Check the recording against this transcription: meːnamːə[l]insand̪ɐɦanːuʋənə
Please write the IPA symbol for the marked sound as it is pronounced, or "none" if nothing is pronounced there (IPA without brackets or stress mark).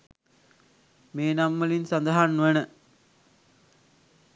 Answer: l